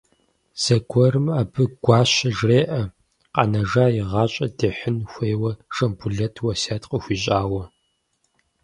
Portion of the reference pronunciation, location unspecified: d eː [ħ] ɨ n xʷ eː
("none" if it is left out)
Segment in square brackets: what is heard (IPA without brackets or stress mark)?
ħ